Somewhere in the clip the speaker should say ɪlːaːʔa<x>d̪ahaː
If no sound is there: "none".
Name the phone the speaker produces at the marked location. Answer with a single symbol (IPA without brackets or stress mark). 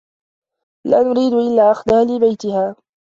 x